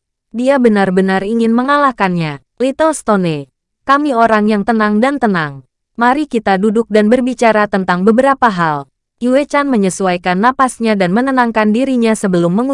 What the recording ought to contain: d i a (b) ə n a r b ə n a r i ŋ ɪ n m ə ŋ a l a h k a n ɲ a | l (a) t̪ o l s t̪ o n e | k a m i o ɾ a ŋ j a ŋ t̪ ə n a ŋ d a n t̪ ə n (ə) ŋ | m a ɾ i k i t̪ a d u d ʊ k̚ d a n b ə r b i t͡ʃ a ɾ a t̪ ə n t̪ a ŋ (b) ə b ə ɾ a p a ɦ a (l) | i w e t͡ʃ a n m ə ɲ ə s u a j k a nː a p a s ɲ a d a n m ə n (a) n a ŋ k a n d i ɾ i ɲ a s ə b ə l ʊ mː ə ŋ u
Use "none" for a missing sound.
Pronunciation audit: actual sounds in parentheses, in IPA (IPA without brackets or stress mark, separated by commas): b, i, a, b, l, ə